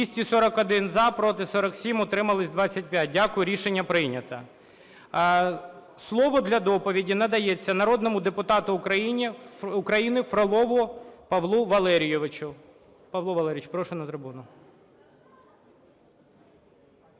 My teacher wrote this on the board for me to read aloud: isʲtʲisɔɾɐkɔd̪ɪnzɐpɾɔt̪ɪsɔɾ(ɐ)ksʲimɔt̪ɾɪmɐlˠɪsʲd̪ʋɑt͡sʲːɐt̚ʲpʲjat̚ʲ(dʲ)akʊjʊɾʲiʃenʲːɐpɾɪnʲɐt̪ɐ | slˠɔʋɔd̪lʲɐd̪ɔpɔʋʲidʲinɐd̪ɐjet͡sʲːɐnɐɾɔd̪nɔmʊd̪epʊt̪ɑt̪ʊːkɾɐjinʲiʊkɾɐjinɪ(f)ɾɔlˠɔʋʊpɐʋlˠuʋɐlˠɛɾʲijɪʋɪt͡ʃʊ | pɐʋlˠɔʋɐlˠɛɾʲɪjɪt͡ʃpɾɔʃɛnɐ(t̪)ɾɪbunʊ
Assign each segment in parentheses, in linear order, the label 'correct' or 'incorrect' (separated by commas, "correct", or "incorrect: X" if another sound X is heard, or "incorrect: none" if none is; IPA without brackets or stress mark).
correct, correct, correct, correct